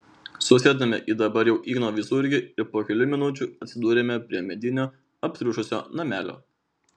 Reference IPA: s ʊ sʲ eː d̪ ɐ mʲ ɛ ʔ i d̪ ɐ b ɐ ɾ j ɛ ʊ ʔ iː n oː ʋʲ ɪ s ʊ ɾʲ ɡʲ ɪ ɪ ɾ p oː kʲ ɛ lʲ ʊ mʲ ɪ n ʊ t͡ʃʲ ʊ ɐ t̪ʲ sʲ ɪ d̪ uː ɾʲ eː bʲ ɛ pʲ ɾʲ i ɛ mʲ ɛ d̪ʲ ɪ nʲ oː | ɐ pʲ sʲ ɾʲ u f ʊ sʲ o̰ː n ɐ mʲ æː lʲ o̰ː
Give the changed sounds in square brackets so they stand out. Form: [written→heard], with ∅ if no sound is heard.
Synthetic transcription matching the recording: s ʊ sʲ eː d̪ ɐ mʲ ɛ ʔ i d̪ ɐ b ɐ ɾ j ɛ ʊ ʔ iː n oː ʋʲ ɪ s ʊ ɾʲ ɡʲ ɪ ɪ ɾ p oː kʲ ɛ lʲ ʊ mʲ ɪ n ʊ t͡ʃʲ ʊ ɐ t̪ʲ sʲ ɪ d̪ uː ɾʲ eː [bʲ→mʲ] ɛ pʲ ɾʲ i ɛ mʲ ɛ d̪ʲ ɪ nʲ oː | ɐ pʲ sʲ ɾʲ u [f→ʃ] ʊ sʲ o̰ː n ɐ mʲ æː lʲ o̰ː